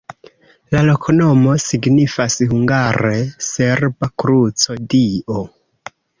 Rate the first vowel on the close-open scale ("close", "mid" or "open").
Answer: open